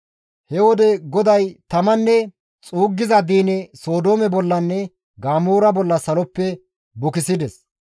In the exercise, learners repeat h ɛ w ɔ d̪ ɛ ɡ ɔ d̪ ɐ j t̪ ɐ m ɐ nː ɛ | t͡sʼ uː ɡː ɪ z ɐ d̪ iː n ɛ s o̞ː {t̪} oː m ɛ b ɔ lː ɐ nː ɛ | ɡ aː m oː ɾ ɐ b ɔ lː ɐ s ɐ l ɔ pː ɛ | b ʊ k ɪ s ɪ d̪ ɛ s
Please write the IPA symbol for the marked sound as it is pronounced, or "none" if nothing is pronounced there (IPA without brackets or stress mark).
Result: d̪